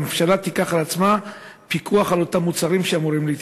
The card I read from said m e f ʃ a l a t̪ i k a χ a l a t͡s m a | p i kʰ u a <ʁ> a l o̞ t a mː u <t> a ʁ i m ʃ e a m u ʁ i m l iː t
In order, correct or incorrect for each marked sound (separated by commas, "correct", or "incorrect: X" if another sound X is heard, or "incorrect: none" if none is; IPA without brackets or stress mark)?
incorrect: χ, incorrect: t͡s